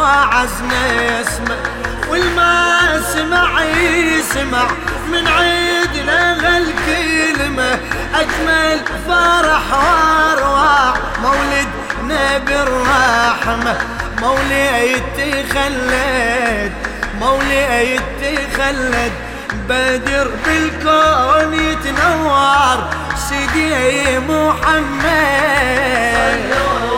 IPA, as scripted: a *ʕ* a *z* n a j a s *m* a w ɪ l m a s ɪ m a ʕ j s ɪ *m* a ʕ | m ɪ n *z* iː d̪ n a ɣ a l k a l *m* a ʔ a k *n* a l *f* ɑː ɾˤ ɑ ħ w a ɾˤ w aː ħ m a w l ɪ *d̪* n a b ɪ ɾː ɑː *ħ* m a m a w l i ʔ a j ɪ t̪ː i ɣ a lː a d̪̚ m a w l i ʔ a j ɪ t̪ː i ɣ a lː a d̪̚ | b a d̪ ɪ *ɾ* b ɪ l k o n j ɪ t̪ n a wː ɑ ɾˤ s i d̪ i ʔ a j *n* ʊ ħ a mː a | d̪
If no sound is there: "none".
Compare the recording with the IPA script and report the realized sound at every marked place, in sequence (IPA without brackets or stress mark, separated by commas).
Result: ʕ, z, m, m, ʕ, m, m, f, d̪, ħ, ɾ, m